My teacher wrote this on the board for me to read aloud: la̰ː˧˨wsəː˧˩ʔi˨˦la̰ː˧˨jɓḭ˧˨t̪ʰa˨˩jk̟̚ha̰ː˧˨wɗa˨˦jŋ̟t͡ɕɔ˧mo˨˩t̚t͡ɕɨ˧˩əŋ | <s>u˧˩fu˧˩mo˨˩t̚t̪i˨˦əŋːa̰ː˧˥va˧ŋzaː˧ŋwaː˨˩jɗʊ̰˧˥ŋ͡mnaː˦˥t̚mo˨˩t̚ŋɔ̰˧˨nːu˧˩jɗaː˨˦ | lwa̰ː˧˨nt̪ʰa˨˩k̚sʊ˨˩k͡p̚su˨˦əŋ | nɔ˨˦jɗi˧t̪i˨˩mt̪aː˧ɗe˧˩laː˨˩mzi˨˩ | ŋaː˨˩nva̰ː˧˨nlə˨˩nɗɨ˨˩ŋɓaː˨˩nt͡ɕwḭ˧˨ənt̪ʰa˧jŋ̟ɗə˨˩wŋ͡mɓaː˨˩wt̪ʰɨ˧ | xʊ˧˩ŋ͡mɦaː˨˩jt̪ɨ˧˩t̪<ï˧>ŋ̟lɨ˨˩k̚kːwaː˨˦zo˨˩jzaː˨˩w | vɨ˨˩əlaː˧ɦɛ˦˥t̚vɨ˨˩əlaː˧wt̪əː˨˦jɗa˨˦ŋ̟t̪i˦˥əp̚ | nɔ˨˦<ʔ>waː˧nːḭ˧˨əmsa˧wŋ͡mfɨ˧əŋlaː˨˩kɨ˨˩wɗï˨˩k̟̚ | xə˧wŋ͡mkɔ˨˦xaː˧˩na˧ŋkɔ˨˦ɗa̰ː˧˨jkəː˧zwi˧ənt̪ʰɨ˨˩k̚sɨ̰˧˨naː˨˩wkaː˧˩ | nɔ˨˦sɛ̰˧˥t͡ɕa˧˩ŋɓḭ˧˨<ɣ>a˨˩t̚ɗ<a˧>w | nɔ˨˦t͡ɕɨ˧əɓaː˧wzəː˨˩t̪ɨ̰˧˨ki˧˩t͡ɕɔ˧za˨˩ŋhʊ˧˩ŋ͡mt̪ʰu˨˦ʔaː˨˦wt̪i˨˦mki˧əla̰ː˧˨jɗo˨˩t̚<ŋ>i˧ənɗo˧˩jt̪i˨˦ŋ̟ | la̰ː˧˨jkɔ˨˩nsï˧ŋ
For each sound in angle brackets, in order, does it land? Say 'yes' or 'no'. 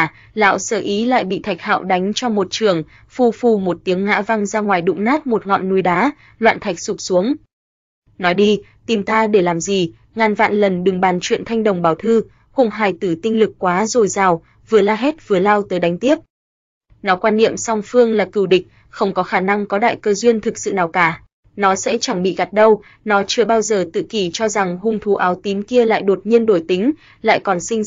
no, yes, no, yes, no, no

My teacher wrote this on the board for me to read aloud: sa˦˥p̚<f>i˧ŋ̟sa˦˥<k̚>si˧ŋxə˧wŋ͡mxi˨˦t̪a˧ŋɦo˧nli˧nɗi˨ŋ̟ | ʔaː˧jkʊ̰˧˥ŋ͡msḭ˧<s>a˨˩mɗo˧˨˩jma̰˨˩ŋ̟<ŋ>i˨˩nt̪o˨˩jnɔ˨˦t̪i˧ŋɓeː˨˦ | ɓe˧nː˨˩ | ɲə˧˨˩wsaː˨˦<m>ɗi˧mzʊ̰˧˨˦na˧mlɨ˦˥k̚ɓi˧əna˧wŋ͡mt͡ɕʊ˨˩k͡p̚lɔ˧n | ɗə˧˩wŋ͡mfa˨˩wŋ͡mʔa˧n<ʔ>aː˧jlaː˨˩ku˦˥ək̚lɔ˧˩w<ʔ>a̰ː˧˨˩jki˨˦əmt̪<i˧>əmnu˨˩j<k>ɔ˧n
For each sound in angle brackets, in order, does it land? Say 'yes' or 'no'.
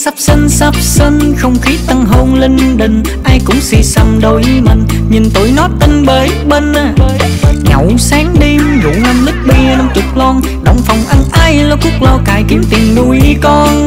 no, no, yes, no, no, yes, no, no, yes

